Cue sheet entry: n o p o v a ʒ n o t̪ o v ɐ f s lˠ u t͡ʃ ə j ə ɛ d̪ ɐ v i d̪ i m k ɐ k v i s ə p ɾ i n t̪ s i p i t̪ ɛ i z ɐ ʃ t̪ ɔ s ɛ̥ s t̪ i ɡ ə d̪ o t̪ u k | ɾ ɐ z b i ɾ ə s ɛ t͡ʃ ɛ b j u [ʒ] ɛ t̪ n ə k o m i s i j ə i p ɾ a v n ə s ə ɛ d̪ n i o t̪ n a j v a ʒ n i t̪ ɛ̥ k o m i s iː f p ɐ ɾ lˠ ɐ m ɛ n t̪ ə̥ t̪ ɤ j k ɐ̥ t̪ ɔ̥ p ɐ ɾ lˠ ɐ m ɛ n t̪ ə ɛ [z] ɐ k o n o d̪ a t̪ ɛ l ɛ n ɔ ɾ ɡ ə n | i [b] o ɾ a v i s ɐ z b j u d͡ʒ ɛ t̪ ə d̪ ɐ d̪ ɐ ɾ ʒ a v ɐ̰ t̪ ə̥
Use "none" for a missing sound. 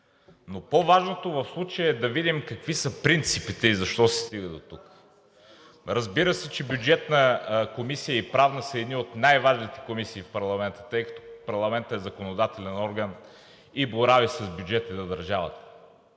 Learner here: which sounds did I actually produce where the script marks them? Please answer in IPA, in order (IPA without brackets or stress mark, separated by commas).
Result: d͡ʒ, z, b